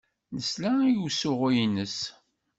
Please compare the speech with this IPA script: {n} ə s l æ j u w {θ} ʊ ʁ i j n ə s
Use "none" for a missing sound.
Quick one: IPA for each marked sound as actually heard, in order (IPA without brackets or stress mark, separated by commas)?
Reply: n, s